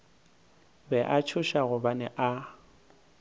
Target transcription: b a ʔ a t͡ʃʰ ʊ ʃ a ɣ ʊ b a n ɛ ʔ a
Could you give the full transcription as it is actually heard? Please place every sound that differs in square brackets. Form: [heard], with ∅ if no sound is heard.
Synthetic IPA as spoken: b [ɛ] ʔ a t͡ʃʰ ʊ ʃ a ɣ ʊ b a n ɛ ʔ a

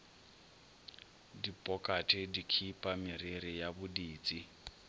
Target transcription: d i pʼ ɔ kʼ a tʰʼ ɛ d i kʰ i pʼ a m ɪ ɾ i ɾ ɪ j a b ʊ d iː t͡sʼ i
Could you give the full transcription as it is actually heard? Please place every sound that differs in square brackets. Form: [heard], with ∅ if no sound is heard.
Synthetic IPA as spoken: d i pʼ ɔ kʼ a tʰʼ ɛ d i kʰ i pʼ a m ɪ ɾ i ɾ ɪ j a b ʊ d iː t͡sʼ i

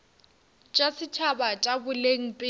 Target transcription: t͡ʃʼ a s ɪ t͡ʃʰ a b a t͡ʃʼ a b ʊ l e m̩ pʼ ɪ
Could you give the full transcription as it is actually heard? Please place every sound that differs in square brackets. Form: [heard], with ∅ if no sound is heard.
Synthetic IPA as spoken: t͡ʃʼ a s ɪ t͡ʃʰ a b a t͡ʃʼ a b ʊ l e [ŋ̩] pʼ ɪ

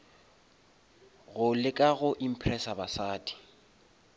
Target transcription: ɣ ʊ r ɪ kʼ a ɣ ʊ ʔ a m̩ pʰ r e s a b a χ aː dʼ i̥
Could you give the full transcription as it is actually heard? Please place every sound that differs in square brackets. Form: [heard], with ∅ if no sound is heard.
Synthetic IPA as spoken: ɣ ʊ [l] ɪ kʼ a ɣ ʊ ʔ [i] m̩ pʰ r [ɛ] s a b a [s] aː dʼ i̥

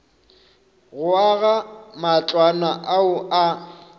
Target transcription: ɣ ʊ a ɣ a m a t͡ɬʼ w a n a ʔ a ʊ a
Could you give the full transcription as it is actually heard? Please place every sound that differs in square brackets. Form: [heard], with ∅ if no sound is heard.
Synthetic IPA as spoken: ɣ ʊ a ɣ a m a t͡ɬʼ w a n a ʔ a ʊ a

